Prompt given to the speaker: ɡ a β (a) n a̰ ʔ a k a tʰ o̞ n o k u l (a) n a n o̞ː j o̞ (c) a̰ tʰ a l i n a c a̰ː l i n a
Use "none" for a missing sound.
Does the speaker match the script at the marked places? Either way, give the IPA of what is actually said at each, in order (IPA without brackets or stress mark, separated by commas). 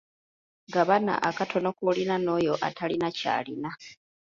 a, i, ʔ